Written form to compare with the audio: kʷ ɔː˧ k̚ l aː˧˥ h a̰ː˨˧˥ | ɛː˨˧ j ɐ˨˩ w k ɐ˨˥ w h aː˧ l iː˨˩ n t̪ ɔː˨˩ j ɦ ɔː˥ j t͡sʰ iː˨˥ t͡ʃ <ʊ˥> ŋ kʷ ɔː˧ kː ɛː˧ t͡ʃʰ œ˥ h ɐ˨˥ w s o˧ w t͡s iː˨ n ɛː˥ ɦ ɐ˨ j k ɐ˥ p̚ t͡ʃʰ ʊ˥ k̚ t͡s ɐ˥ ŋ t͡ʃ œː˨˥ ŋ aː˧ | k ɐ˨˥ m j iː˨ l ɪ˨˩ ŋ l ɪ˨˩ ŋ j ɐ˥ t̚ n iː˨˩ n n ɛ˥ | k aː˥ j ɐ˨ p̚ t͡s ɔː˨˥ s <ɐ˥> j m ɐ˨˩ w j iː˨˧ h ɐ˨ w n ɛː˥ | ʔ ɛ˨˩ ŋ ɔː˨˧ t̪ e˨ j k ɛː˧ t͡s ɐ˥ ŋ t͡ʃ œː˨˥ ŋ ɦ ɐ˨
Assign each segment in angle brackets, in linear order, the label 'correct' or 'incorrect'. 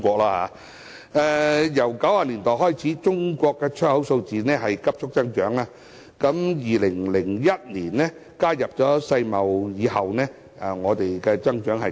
correct, incorrect

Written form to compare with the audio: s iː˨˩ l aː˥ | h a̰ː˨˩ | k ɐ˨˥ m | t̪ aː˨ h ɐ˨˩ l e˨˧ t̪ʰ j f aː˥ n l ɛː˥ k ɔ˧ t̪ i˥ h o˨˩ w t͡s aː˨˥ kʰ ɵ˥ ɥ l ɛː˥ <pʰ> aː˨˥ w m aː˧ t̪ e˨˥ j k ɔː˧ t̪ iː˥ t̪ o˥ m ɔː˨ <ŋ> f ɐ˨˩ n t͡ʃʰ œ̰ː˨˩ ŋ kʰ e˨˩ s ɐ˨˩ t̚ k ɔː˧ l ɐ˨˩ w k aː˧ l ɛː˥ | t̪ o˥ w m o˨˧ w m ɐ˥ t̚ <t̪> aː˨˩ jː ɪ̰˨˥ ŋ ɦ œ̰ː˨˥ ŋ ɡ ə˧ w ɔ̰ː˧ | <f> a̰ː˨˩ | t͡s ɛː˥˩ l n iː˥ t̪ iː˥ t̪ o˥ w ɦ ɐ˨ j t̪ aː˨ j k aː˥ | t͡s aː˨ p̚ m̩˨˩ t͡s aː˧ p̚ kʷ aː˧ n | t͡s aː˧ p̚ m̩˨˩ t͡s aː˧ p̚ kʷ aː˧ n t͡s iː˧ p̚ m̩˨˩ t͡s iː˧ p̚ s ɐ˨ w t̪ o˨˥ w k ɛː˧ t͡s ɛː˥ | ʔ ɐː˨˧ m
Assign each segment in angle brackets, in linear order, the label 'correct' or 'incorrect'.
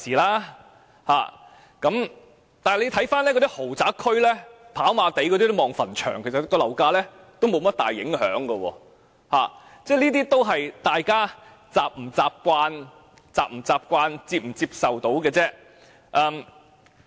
correct, correct, correct, incorrect

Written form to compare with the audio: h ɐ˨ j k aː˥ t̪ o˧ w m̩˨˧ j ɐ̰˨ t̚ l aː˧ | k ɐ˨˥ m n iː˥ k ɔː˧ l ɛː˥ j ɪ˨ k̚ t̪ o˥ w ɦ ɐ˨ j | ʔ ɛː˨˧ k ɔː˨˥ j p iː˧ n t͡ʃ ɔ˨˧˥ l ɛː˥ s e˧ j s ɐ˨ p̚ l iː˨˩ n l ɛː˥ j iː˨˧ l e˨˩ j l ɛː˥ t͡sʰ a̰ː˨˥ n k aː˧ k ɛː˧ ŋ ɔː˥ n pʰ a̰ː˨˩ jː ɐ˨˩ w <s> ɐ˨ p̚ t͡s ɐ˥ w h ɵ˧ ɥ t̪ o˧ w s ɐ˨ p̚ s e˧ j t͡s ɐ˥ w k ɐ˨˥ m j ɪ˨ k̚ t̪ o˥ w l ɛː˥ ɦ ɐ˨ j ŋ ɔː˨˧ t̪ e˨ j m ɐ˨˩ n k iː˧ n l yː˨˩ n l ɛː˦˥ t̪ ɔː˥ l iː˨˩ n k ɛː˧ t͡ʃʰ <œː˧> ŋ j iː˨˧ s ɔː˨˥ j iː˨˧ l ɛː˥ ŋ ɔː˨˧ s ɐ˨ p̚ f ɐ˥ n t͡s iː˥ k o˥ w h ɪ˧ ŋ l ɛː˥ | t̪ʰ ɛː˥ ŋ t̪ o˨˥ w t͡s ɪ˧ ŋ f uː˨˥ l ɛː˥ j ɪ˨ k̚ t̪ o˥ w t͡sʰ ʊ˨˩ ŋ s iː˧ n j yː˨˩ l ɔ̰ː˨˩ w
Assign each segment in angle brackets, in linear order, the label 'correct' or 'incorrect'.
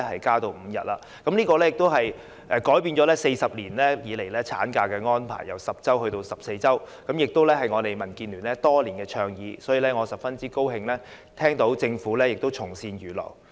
correct, correct

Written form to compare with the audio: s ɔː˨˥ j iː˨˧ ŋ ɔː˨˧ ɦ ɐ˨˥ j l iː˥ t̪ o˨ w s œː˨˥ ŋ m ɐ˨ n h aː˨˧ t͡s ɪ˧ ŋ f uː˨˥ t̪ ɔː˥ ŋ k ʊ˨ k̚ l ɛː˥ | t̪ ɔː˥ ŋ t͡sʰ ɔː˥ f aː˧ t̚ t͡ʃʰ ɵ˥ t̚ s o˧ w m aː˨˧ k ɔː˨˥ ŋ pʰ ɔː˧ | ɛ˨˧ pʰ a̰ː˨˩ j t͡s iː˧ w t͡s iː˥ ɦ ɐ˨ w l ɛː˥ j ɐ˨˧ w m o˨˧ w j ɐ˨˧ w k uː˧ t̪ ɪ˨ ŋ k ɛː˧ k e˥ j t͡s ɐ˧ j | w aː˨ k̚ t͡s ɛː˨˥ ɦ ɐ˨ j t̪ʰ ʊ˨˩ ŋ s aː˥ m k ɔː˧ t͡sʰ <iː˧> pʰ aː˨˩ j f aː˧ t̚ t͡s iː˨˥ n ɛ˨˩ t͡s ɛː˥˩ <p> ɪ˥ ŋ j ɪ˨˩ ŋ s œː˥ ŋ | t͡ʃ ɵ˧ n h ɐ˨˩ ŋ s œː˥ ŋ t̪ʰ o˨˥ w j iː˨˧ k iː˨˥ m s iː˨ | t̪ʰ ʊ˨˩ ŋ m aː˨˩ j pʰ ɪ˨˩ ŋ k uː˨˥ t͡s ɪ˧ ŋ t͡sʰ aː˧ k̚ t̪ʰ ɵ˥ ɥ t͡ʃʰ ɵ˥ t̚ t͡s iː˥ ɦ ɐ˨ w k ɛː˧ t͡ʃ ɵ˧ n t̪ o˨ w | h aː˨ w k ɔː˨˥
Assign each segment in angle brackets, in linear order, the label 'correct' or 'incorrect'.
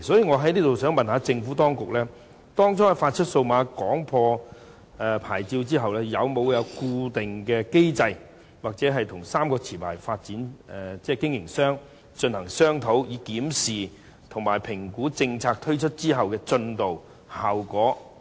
incorrect, incorrect

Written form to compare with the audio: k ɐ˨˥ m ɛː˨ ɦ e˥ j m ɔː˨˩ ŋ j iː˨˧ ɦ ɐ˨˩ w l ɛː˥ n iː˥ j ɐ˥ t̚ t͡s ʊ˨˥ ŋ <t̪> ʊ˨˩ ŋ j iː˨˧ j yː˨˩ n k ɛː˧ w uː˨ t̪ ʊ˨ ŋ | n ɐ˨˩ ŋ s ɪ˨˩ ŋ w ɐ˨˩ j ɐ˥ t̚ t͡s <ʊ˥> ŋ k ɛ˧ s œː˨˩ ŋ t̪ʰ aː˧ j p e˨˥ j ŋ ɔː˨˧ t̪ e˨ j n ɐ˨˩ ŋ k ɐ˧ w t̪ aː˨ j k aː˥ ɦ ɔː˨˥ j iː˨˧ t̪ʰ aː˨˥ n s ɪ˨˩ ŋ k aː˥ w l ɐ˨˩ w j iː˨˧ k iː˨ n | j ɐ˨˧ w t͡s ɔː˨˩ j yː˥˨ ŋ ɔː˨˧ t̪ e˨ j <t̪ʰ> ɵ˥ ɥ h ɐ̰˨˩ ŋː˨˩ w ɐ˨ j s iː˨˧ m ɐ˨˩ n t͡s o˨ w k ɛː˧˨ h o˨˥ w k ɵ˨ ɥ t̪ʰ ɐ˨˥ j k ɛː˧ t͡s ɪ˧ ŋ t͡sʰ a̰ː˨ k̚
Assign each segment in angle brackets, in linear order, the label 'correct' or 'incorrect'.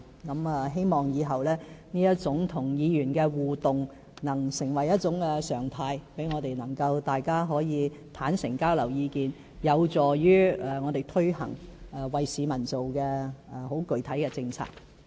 incorrect, incorrect, correct

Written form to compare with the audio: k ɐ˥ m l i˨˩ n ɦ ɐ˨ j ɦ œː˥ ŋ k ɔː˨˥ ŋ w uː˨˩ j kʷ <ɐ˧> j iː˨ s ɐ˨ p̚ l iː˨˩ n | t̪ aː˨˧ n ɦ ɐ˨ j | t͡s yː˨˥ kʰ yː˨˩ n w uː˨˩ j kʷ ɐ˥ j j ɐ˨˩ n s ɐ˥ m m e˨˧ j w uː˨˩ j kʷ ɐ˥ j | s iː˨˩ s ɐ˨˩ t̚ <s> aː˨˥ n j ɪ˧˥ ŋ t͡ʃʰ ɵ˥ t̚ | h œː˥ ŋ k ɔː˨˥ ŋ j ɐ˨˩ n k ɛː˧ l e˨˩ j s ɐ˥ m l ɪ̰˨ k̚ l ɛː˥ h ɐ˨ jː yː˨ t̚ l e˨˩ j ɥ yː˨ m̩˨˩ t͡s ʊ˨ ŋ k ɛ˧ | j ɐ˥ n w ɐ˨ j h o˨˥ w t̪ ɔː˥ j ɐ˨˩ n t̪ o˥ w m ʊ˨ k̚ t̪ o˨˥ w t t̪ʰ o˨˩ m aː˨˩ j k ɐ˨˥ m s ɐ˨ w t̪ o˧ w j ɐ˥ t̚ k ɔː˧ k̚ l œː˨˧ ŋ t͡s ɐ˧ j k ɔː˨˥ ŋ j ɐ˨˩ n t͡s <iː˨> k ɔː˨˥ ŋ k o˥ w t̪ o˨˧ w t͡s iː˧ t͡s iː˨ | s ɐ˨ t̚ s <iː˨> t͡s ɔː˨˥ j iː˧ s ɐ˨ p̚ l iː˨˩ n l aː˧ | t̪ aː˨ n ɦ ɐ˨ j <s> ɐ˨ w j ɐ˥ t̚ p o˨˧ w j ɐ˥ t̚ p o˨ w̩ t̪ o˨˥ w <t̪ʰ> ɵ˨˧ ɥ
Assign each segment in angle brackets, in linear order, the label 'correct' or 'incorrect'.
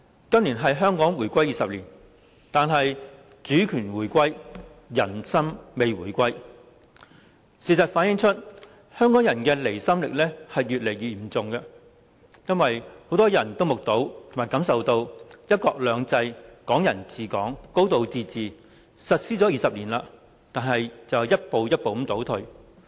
incorrect, incorrect, correct, incorrect, incorrect, correct

